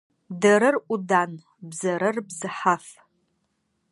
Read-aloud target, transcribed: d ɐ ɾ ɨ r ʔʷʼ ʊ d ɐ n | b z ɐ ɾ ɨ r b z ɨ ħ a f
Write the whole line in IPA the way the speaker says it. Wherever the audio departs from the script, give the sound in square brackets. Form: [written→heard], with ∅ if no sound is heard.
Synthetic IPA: d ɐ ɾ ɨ r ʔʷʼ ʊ d [ɐ→a] n | b z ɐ ɾ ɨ r b z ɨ ħ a f